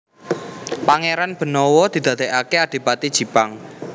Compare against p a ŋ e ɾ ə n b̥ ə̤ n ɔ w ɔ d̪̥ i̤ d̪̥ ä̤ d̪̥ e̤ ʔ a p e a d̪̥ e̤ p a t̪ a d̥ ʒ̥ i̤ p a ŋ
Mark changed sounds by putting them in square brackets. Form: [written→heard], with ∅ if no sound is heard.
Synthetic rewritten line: p a ŋ e ɾ [ə→a] n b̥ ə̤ n ɔ w ɔ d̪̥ i̤ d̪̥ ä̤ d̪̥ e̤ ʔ a [p→k] e a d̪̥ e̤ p a t̪ [a→i] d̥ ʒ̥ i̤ p a ŋ